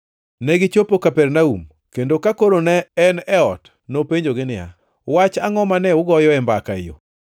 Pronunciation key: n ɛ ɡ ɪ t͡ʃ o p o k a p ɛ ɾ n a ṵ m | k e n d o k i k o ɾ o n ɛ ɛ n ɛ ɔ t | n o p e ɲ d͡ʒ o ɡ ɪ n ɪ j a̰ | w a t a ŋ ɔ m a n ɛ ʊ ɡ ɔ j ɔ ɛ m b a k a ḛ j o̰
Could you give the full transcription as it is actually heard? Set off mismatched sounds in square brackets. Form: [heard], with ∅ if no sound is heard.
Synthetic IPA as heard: n ɛ ɡ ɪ t͡ʃ o p o k a p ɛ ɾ n a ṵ m | k e n d o k [a] k o ɾ o n ɛ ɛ n ɛ ɔ t | n o p e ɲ d͡ʒ o ɡ ɪ n ɪ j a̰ | w a [t͡ʃ] a ŋ ɔ m a n ɛ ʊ ɡ ɔ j ɔ ɛ m b a k a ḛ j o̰